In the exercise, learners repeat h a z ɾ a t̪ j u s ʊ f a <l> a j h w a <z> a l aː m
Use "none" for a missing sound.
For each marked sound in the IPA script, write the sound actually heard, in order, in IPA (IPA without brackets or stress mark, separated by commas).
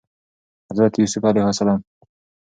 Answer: l, s